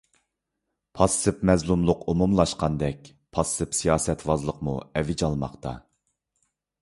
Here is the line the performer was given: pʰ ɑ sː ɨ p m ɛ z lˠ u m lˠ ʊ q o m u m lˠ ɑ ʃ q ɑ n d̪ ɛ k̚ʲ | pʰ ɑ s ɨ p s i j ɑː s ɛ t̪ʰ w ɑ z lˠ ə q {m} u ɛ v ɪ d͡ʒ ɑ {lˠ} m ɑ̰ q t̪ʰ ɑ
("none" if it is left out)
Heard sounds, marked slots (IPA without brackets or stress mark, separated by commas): m, lˠ